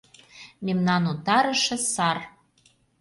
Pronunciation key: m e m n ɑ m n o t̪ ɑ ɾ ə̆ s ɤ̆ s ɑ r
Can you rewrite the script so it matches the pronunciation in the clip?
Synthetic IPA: m e m n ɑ n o t̪ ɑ ɾ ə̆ ʃ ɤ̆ s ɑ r